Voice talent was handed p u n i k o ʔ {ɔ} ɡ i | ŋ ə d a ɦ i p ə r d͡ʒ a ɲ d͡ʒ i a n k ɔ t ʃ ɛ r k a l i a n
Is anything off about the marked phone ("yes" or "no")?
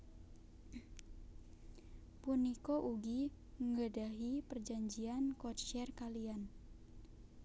yes